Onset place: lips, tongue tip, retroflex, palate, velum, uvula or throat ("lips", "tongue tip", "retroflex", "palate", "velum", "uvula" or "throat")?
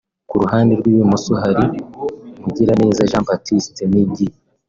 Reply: velum